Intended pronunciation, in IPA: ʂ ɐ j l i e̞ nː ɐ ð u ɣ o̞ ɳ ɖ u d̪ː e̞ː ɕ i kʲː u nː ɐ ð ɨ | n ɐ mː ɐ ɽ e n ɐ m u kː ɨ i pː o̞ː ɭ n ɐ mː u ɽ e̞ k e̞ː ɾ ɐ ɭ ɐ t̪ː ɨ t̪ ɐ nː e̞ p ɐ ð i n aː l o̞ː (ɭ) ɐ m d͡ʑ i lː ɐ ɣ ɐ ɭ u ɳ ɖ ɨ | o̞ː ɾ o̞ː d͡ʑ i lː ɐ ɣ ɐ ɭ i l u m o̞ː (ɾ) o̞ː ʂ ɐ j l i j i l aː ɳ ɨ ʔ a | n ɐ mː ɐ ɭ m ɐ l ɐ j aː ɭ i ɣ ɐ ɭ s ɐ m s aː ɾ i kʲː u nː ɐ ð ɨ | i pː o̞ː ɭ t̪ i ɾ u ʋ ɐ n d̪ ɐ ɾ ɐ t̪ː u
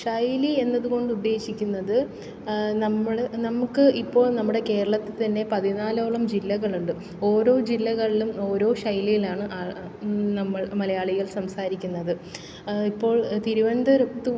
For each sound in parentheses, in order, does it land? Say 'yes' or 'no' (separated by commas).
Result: yes, yes